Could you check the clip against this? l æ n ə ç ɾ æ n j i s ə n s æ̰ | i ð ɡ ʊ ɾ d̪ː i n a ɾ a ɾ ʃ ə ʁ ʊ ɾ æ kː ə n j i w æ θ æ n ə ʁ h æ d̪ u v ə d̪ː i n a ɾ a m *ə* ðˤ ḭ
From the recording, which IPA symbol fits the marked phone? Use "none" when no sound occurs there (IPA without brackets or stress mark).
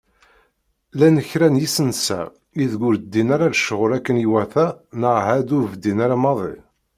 ɑ